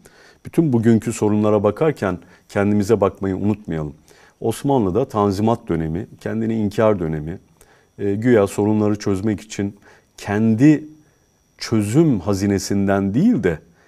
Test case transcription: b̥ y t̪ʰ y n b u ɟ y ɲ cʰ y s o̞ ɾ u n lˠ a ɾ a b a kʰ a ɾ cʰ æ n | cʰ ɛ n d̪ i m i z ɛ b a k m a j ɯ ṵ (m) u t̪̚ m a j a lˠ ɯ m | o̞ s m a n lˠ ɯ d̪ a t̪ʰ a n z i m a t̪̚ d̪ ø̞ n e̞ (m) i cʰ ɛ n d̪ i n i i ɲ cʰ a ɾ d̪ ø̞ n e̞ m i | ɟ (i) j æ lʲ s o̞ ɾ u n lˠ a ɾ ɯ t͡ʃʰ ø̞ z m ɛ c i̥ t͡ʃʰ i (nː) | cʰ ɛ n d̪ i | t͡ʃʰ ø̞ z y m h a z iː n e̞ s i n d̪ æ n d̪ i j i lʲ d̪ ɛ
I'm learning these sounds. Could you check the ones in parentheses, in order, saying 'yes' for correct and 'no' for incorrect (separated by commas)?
no, yes, no, no